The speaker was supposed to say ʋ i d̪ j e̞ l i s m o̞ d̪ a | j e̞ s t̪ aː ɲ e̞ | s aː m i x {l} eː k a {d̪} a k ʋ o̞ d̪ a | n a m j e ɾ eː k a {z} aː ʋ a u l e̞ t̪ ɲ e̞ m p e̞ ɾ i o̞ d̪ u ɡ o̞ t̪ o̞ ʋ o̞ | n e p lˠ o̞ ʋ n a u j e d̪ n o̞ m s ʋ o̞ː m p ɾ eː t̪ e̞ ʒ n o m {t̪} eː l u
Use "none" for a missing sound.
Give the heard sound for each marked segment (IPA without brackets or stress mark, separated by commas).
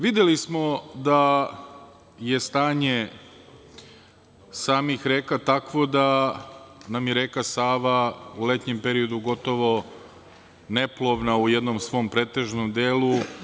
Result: ɾ, t̪, s, d̪